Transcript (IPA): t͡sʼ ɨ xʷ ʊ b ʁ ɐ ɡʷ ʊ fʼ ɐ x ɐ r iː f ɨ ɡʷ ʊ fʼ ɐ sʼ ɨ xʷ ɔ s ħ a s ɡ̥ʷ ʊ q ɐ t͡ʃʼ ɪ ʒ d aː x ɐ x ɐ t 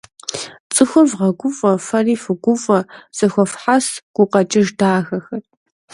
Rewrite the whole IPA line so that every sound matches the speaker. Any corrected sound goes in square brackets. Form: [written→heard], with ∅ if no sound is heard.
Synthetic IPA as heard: t͡sʼ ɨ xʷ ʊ [b→v] ʁ ɐ ɡʷ ʊ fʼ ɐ [x→f] ɐ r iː f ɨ ɡʷ ʊ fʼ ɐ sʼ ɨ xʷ ɔ [s→f] ħ a s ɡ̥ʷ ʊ q ɐ t͡ʃʼ ɪ ʒ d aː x ɐ x ɐ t